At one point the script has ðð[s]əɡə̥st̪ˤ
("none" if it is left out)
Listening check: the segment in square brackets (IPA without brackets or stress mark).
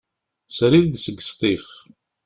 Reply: s